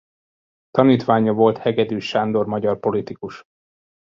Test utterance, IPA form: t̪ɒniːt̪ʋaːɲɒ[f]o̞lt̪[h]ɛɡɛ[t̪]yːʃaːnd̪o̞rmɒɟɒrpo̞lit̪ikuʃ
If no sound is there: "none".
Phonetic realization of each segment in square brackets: v, h, d̪

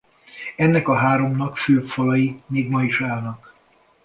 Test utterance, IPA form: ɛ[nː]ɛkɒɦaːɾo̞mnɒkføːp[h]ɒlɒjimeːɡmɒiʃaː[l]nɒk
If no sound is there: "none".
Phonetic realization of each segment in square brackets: nː, f, l

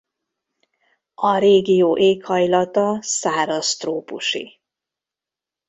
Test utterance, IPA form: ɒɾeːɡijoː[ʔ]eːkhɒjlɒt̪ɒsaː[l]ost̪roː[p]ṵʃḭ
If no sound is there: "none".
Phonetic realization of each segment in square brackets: ʔ, ɾ, p

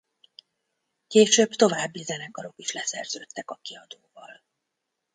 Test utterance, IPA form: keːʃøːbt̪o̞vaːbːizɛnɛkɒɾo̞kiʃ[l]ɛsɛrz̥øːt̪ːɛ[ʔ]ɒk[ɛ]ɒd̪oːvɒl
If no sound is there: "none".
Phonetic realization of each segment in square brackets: l, k, i

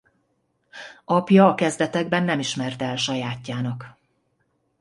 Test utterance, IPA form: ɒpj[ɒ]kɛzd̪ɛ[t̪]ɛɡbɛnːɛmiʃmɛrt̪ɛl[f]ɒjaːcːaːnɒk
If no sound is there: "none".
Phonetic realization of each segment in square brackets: ɒː, t̪, ʃ

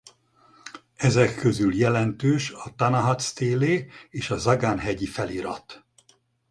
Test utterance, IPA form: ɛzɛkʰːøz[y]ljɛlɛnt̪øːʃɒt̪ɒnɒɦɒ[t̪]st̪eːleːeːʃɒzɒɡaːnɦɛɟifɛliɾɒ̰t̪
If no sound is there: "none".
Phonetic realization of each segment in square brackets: y, t̪

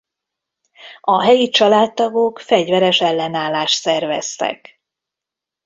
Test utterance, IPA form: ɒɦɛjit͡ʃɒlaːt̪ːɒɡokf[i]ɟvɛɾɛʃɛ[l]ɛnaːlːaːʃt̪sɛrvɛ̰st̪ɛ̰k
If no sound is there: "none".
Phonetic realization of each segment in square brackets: ɛ, lː

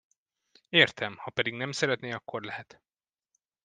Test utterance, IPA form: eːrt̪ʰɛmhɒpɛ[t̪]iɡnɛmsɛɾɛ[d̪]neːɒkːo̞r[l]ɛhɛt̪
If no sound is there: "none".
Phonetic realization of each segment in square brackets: d̪, t̪, l

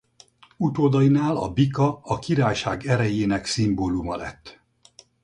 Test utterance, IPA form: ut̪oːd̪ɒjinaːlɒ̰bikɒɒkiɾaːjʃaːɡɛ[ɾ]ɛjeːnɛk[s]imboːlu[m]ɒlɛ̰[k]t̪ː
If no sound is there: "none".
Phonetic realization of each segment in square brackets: ɾ, s, m, none

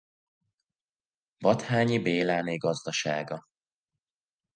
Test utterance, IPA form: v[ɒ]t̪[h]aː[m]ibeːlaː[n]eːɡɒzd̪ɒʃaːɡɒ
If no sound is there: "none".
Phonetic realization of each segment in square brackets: ɒ, h, ɲ, n

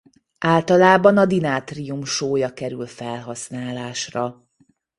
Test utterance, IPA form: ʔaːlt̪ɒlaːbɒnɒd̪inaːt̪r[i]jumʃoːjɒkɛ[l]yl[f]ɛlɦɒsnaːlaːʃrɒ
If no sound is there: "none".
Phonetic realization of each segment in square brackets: i, ɾ, f

